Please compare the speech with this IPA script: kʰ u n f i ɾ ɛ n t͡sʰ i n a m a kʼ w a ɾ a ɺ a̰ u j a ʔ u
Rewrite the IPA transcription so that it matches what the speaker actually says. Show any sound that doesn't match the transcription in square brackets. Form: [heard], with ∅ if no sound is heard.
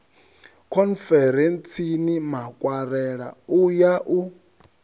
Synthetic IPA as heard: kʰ [ɔ] n f [ɛ] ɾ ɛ n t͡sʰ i n [i] m a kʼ w a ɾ [ɛ] ɺ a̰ u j a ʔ u